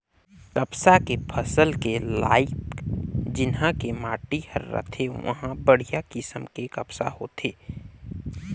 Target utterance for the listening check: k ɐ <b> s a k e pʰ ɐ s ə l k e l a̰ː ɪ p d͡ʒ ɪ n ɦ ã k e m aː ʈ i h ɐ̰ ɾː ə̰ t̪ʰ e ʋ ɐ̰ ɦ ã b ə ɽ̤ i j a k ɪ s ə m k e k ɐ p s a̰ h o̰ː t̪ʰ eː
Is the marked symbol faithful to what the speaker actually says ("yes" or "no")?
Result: no